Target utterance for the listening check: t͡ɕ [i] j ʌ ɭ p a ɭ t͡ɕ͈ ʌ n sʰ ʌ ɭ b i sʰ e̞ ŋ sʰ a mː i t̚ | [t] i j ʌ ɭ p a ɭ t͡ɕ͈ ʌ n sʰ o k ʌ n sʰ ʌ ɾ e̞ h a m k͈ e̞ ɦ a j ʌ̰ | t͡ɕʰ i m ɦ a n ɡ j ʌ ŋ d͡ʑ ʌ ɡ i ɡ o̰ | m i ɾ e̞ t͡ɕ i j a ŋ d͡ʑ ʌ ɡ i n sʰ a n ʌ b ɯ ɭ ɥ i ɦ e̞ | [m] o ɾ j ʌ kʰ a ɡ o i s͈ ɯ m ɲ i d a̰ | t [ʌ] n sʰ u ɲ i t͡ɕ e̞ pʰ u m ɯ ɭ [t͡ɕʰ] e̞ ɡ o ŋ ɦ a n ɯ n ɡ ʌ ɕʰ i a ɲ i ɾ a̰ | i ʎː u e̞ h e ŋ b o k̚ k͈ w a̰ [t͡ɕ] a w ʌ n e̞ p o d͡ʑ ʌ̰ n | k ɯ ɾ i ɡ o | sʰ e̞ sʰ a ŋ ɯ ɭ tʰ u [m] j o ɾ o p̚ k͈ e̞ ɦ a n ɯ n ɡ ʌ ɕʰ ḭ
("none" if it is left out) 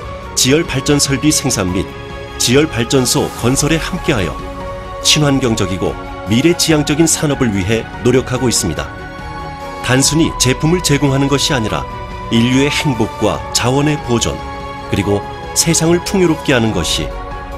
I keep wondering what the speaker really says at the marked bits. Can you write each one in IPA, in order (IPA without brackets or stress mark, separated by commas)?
i, t͡ɕ, n, a, t͡ɕ, t͡ɕ, ŋ